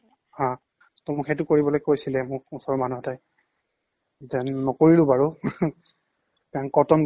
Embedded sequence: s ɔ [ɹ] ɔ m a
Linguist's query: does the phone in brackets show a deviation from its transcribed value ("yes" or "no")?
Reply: no